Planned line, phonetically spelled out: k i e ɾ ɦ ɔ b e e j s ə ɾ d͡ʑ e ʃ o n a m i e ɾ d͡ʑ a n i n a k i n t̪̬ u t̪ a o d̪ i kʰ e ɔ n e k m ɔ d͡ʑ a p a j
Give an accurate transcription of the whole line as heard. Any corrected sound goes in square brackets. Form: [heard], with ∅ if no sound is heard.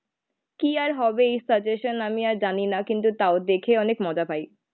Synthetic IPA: k i [a] ɾ ɦ ɔ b e e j s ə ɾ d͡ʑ e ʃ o n a m i [a] ɾ d͡ʑ a n i n a k i n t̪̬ u t̪ a o d̪ [e] kʰ e ɔ n e k m ɔ d͡ʑ a p a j